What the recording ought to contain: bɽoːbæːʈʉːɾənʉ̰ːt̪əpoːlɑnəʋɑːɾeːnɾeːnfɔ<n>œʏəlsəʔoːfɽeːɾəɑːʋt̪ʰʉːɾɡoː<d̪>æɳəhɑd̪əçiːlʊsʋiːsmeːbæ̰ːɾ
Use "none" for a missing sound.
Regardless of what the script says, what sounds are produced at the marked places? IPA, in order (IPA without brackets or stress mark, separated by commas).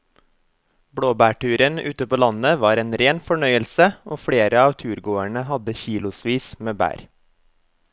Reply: ɳ, none